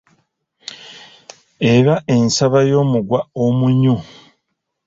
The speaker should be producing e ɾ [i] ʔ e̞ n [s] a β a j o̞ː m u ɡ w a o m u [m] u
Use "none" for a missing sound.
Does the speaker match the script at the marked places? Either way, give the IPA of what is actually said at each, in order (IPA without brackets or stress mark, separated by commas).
a, s, ɲ